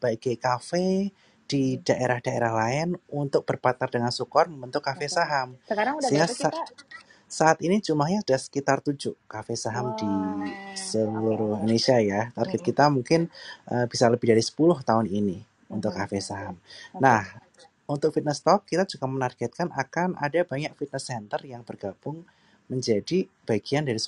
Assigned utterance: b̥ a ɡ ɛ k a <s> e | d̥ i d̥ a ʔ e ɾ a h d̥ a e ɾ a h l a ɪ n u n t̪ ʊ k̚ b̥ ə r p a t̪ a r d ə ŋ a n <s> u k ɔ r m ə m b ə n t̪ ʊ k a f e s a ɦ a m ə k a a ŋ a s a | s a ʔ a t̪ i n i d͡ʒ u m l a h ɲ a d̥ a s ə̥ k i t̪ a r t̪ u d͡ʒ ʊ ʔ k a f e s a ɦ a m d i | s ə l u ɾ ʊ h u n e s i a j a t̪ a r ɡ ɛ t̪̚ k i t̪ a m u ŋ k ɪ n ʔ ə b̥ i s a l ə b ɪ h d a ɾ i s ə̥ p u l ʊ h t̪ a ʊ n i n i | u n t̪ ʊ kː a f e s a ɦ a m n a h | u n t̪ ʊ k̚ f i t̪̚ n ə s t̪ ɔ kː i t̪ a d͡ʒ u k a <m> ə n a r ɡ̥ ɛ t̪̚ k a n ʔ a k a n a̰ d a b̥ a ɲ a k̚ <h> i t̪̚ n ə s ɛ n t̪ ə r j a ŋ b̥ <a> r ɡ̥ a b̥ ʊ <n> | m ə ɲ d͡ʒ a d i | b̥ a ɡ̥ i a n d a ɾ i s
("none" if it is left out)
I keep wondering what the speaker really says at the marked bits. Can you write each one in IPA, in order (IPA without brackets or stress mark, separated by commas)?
f, s, m, f, ə, ŋ